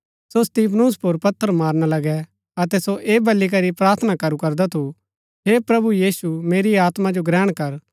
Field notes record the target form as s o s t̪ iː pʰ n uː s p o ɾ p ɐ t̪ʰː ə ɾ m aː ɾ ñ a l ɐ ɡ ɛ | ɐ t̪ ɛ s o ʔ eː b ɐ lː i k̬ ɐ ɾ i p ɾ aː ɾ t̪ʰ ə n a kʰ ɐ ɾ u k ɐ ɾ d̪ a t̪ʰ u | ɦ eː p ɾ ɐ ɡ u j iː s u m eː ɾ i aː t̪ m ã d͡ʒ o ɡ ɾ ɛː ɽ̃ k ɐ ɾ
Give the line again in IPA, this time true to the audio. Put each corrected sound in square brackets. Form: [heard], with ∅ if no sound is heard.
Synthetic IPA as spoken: s o s t̪ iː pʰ n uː s p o ɾ p ɐ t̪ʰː ə ɾ m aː ɾ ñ a l ɐ ɡ ɛ | ɐ t̪ ɛ s o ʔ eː b ɐ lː i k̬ ɐ ɾ i p ɾ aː ɾ t̪ʰ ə n a [k] ɐ ɾ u k ɐ ɾ d̪ a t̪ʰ u | ɦ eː p ɾ ɐ [b] u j iː s u m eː ɾ i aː t̪ m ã d͡ʒ o ɡ ɾ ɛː ɽ̃ k ɐ ɾ